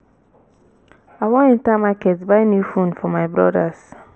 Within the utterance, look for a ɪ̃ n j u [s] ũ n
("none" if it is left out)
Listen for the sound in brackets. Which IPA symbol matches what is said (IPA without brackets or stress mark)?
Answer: f